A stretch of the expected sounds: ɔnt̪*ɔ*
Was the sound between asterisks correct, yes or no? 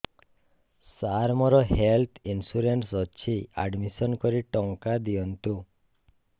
no